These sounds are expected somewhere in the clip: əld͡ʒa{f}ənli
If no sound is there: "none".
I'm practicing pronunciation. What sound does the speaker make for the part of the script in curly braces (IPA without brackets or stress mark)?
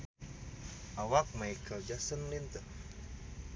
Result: s